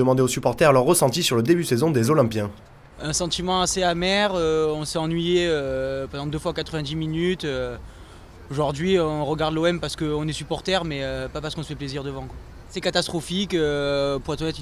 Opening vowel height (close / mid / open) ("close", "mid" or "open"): mid